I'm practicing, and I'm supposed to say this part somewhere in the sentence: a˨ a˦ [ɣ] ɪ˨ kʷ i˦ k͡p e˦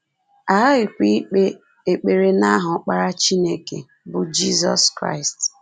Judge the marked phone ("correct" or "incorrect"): correct